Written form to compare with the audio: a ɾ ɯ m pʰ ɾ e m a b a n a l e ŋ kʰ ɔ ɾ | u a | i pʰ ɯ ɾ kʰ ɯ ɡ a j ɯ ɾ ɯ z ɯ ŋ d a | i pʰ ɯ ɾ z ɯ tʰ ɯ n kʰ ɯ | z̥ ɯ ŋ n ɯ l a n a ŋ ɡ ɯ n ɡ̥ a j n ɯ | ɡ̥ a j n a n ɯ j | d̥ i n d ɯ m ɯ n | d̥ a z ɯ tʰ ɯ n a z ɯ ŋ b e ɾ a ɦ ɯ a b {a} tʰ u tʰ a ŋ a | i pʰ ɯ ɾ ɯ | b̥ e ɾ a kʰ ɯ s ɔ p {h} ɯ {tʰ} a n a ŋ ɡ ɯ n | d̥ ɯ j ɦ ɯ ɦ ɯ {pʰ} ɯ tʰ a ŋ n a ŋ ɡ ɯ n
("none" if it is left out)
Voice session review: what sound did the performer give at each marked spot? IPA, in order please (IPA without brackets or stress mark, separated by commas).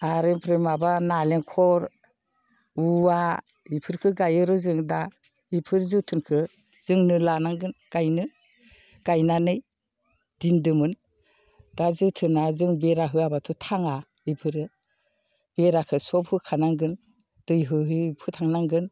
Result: a, h, kʰ, pʰ